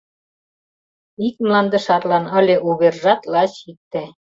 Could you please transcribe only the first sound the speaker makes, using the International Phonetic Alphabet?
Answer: i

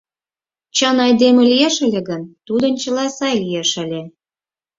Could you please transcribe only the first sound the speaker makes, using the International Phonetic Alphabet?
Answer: t͡ɕ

